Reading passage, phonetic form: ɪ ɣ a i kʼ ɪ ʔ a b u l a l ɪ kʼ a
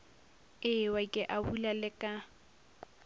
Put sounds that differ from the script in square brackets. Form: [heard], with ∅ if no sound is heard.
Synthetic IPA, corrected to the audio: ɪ [w] a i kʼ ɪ ʔ a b u l a l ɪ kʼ a

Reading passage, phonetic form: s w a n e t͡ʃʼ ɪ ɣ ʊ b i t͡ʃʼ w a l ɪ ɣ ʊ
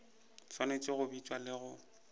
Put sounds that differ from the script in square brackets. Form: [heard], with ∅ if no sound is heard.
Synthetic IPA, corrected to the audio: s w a n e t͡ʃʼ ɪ ɣ ʊ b i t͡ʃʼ w a l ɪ ɣ ʊ

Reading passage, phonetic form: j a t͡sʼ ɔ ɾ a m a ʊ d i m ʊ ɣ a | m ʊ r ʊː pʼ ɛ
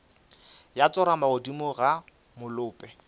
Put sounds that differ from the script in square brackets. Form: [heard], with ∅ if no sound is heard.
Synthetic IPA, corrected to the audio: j a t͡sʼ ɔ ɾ a m a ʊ d i m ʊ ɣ a | m ʊ [l] ʊː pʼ ɛ

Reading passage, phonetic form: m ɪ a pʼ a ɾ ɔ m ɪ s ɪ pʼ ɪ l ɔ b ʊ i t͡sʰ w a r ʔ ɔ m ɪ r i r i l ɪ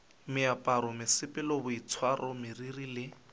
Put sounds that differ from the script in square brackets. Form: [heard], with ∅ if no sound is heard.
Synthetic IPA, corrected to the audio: m ɪ a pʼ a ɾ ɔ m ɪ s ɪ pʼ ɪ l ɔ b ʊ i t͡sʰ w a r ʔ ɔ m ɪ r i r i l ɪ

